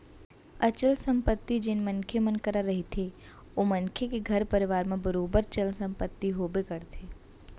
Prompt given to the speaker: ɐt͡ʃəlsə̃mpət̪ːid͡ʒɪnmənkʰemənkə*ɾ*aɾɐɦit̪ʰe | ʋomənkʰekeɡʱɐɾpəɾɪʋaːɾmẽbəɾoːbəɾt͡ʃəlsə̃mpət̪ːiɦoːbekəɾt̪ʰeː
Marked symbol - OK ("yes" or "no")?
yes